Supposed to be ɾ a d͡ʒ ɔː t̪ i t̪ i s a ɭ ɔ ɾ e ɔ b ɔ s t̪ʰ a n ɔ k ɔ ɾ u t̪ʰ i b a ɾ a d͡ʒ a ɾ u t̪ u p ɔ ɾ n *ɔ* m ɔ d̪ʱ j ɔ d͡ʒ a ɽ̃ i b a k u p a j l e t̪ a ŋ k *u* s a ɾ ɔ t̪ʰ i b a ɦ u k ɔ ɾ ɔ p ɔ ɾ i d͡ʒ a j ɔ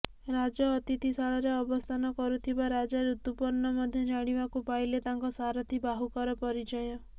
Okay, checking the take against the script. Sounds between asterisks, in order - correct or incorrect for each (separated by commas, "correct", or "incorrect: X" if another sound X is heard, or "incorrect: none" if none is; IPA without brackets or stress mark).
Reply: correct, incorrect: ɔ